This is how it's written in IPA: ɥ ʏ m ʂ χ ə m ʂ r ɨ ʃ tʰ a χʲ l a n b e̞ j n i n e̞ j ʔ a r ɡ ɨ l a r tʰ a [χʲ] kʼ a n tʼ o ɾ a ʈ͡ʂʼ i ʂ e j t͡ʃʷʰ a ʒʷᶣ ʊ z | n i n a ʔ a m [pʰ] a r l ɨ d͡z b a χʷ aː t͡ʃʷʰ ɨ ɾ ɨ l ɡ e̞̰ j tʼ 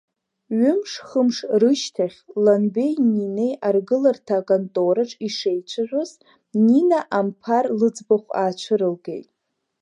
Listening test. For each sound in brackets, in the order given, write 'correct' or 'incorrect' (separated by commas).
incorrect, correct